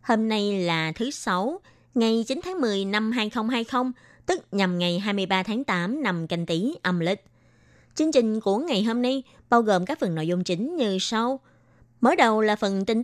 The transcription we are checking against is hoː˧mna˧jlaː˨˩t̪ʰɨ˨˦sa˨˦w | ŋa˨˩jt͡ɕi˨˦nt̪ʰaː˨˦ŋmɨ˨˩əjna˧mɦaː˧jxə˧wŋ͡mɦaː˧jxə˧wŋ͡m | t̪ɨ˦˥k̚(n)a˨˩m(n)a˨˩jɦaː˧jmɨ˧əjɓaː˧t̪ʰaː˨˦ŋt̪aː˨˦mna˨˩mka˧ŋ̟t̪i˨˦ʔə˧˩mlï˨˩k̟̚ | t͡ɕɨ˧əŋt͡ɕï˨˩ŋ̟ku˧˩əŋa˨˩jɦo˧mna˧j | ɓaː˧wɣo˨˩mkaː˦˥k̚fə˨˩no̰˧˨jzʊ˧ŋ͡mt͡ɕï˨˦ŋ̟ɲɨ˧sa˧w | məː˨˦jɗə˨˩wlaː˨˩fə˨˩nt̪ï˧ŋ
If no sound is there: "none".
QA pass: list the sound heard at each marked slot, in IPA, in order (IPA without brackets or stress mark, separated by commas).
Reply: ɲ, ŋ